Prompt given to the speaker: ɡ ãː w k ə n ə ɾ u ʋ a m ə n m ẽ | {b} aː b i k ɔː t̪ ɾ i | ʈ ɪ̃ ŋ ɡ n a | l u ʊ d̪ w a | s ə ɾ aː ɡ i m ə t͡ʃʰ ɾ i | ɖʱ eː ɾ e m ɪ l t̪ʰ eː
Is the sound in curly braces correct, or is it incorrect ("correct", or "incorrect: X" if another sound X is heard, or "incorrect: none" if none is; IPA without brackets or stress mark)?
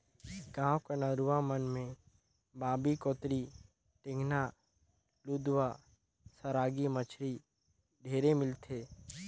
correct